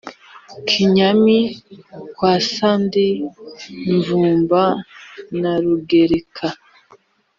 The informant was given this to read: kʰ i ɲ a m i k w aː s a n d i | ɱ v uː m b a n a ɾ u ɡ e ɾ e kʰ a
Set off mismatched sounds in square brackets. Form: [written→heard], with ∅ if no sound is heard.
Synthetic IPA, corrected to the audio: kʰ i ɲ a m i k w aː s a n d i | ɱ v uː m b a n a ɾ u ɡ e ɾ e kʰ a